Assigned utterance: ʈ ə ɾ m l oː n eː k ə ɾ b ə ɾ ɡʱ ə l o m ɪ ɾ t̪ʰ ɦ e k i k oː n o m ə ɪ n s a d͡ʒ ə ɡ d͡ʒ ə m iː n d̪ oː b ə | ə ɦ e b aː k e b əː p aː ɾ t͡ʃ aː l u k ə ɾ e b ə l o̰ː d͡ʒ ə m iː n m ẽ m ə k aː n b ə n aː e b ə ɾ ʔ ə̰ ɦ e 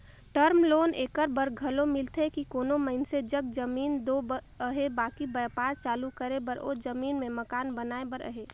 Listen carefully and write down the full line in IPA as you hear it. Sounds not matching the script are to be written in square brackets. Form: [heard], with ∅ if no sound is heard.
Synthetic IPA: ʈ ə ɾ m l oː n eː k ə ɾ b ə ɾ ɡʱ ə l o m ɪ [l] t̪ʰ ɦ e k i k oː n o m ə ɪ n s [e] d͡ʒ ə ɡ d͡ʒ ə m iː n d̪ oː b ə | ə ɦ e b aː k [i] b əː p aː ɾ t͡ʃ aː l u k ə ɾ e b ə [ɾ] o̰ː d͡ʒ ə m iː n m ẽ m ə k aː n b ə n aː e b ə ɾ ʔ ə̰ ɦ e